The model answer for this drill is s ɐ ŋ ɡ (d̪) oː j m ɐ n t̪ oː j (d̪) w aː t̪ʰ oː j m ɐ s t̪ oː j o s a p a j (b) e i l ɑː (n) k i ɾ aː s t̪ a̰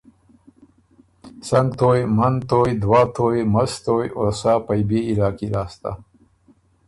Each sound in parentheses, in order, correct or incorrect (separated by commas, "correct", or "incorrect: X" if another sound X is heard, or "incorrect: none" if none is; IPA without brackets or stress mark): incorrect: t̪, correct, correct, incorrect: none